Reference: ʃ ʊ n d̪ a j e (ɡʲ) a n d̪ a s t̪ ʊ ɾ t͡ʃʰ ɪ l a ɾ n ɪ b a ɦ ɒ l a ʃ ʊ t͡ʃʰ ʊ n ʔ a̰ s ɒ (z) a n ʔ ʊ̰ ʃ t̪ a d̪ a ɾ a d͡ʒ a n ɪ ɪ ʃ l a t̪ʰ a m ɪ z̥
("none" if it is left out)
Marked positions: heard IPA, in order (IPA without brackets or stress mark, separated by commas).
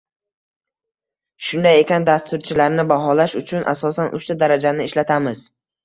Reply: kʲ, s